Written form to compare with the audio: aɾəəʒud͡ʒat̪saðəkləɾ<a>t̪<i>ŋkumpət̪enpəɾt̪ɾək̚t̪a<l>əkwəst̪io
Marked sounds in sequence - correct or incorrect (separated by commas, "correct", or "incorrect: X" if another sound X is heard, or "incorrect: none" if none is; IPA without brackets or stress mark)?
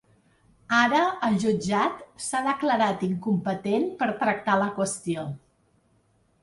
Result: correct, correct, correct